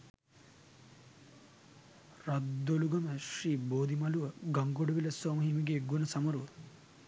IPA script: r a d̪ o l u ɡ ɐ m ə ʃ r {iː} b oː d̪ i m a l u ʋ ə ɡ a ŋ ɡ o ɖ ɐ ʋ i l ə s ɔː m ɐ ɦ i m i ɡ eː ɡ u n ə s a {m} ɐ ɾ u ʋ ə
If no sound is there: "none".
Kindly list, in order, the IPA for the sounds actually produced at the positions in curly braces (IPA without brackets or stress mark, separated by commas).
iː, m